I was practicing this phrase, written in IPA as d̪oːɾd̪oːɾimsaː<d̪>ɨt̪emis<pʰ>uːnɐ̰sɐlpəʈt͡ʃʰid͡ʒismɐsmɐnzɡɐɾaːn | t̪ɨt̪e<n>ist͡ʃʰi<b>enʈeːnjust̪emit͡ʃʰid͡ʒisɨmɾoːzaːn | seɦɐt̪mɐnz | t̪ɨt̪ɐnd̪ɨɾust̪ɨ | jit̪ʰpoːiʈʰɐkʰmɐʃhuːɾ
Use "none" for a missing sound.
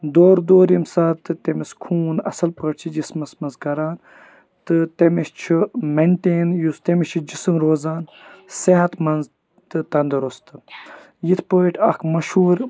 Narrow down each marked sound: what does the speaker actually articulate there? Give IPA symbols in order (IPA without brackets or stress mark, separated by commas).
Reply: t̪, kʰ, m, m